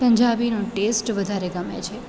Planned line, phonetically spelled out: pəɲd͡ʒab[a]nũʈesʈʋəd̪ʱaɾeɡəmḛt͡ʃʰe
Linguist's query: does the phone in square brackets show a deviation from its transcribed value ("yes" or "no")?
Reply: yes